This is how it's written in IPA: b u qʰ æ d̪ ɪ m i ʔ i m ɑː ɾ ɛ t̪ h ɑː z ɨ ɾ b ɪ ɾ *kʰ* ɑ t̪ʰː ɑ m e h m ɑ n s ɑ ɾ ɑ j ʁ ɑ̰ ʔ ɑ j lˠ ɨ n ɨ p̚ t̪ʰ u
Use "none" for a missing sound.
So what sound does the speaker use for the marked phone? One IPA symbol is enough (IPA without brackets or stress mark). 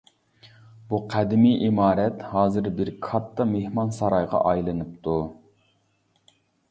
kʰ